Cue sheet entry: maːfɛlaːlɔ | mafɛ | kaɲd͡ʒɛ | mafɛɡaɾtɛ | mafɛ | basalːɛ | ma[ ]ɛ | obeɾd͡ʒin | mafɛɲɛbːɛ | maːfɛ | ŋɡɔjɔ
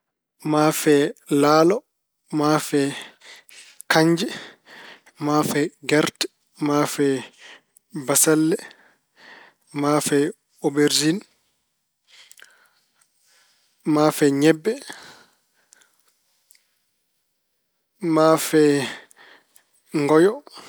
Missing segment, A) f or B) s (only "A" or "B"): A